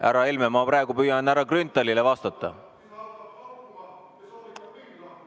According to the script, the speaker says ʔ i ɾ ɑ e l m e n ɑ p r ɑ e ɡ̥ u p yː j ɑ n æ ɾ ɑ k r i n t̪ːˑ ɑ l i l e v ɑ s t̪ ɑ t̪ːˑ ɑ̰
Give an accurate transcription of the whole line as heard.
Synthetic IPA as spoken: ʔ æ ɾ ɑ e l m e m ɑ p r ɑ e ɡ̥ u p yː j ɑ n æ ɾ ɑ k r y n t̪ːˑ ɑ l i l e v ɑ s t̪ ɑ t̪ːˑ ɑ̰